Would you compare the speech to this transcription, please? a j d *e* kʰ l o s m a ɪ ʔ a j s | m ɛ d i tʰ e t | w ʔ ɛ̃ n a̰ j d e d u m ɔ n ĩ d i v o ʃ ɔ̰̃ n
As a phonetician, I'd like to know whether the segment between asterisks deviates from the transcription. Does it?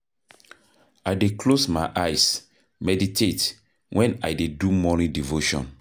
no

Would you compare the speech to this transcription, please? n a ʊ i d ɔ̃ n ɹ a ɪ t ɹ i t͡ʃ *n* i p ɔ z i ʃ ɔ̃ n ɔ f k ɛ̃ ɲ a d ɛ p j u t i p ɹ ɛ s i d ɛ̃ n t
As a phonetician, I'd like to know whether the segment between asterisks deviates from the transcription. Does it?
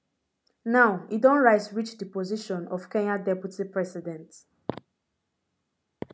yes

